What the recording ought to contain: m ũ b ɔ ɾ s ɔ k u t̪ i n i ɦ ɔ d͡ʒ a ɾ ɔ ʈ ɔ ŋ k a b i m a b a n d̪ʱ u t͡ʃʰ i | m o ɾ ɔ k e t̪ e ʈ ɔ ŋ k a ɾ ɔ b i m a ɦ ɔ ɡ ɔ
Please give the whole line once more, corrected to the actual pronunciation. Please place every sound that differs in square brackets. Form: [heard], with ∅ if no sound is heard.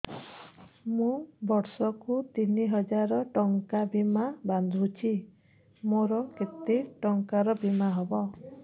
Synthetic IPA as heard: m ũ b ɔ ɾ s ɔ k u t̪ i n i ɦ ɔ d͡ʒ a ɾ ɔ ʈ ɔ ŋ k a b i m a b a n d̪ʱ u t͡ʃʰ i | m o ɾ ɔ k e t̪ e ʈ ɔ ŋ k a ɾ ɔ b i m a ɦ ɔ [b] ɔ